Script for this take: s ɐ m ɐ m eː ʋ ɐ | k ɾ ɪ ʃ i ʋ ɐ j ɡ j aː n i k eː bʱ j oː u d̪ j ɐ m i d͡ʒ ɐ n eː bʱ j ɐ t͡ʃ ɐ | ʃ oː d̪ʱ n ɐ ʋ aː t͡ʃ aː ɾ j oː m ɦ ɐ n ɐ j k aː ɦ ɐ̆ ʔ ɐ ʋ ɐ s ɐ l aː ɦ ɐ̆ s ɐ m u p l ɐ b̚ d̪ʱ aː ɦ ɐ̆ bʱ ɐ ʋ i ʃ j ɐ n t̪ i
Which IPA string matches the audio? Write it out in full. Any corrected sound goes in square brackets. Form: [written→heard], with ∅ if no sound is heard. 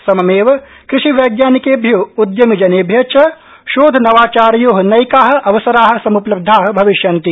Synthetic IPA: s ɐ m ɐ m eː ʋ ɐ | k ɾ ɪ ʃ i ʋ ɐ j ɡ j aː n i k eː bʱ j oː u d̪ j ɐ m i d͡ʒ ɐ n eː bʱ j ɐ t͡ʃ ɐ | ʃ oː d̪ʱ n ɐ ʋ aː t͡ʃ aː ɾ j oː [m→∅] ɦ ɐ n ɐ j k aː ɦ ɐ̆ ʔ ɐ ʋ ɐ s ɐ [l→ɾ] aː ɦ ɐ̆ s ɐ m u p l ɐ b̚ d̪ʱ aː ɦ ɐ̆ bʱ ɐ ʋ i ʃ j ɐ n t̪ i